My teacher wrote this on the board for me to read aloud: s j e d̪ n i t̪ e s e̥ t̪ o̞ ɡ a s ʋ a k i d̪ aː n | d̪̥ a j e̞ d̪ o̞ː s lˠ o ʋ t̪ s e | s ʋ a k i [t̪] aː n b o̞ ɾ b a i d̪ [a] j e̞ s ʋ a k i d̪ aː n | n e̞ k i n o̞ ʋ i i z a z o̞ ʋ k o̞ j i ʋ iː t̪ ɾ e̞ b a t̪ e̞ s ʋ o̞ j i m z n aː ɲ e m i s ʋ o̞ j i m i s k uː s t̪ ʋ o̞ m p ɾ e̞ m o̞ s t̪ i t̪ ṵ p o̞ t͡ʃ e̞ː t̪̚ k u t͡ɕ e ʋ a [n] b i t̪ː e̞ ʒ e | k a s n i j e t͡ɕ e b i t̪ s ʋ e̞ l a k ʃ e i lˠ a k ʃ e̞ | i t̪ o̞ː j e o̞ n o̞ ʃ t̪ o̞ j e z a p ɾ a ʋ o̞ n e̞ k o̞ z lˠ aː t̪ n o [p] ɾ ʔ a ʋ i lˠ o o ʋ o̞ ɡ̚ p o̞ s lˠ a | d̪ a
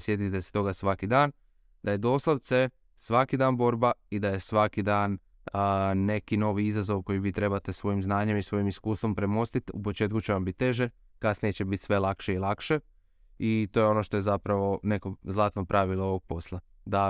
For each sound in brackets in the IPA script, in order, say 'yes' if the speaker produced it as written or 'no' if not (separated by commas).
no, yes, no, yes